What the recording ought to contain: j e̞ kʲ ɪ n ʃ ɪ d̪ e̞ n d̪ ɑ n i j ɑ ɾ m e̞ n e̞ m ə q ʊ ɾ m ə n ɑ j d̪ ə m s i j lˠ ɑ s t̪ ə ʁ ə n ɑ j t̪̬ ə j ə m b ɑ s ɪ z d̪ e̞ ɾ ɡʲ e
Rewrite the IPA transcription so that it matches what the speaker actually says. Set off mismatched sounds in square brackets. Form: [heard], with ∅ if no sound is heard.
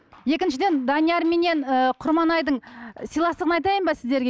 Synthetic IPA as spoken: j e̞ kʲ ɪ n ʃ ɪ d̪ e̞ n d̪ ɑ n i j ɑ ɾ m e̞ n e̞ [n] ə [qʰ] ʊ ɾ m [ɑ] n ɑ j d̪ ə [ɴ] s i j lˠ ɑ s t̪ ə ʁ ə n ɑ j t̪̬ [ɑ] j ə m b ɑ s ɪ z d̪ e̞ ɾ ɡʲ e

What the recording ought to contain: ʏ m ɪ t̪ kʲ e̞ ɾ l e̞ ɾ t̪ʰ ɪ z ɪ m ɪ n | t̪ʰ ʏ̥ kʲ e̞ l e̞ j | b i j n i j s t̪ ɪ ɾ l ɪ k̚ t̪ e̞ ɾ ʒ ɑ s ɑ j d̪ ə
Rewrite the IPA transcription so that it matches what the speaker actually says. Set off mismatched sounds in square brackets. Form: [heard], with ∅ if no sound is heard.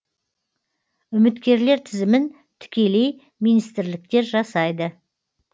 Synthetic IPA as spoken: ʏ m ɪ t̪ kʲ e̞ ɾ l e̞ ɾ t̪ʰ ɪ z ɪ m ɪ n | t̪ʰ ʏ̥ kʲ e̞ l e̞ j | [m] i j n i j s t̪ ɪ ɾ l ɪ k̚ t̪ e̞ ɾ ʒ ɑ s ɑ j d̪ ə

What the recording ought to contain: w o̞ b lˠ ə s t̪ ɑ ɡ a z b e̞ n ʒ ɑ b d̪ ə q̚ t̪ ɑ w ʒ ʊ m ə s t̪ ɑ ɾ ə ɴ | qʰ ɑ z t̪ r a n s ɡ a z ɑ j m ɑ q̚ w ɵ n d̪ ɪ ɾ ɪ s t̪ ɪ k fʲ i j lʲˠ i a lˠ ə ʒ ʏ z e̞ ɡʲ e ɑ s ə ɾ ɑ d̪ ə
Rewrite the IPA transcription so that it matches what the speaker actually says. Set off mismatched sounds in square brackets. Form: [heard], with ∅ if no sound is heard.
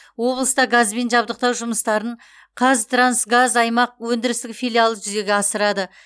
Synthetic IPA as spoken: w o̞ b lˠ ə s t̪ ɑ ɡ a z b e̞ n ʒ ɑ b d̪ ə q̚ t̪ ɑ w ʒ ʊ m ə s t̪ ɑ ɾ ə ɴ | qʰ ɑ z t̪ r a n s ɡ a z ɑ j m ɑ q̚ w ɵ n d̪ ɪ ɾ ɪ s t̪ ɪ k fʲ i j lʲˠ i a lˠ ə ʒ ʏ z e̞ ɡʲ e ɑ s ə ɾ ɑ d̪ ə

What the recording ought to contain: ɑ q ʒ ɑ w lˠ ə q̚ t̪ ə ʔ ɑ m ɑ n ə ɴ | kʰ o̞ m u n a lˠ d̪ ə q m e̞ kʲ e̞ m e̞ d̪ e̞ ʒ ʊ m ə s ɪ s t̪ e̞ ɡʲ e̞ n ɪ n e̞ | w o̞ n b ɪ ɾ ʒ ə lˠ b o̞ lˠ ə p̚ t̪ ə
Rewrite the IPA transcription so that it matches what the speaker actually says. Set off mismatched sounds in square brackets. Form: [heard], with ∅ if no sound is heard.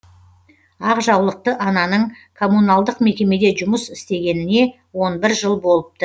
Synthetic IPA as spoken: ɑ q ʒ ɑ w lˠ ə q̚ t̪ ə ʔ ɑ [n] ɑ n ə ɴ | kʰ o̞ m u n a lˠ d̪ ə q m e̞ kʲ e̞ m e̞ d̪ e̞ ʒ ʊ m ə s ɪ s t̪ e̞ ɡʲ e̞ n ɪ n e̞ | w o̞ n b ɪ ɾ ʒ ə lˠ b o̞ lˠ ə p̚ t̪ ə

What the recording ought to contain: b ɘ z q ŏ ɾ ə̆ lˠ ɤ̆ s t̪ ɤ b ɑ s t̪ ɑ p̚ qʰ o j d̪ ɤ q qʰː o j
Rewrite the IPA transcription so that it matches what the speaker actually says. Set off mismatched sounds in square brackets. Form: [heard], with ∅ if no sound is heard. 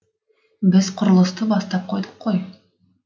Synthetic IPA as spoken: b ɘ z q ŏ ɾ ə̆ lˠ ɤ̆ s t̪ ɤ b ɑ s t̪ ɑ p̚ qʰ o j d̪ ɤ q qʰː o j

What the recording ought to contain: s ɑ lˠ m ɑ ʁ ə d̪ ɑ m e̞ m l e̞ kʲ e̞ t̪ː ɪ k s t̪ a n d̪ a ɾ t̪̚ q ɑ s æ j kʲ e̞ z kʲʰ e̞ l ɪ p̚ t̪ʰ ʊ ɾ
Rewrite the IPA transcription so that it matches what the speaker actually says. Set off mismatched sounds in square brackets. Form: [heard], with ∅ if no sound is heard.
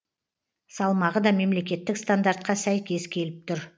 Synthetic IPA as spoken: s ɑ lˠ m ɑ ʁ ə d̪ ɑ m e̞ m l e̞ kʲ e̞ t̪ː ɪ k s t̪ a n d̪ a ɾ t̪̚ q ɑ s æ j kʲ e̞ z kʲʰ e̞ l ɪ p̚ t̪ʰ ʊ ɾ

